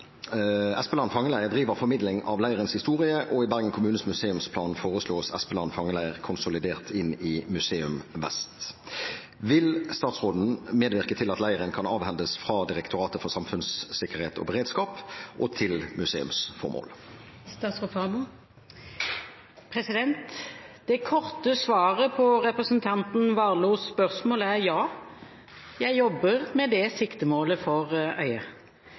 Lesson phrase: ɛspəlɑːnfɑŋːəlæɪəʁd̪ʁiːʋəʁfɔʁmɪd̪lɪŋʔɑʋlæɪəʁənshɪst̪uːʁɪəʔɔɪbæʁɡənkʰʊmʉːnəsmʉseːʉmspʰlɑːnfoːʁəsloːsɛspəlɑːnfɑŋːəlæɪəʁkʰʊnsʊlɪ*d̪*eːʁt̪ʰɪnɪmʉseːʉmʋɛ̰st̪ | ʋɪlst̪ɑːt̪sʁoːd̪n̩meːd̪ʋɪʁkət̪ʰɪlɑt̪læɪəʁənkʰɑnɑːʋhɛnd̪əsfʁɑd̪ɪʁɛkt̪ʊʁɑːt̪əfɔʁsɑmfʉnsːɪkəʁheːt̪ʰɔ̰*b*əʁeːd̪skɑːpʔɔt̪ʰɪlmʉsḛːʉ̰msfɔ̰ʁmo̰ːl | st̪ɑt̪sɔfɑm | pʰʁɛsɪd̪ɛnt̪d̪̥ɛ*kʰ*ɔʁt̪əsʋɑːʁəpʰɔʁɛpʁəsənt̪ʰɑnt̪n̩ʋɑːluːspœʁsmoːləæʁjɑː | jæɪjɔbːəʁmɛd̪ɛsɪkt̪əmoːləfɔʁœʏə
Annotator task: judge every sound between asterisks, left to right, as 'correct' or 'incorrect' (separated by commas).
correct, correct, correct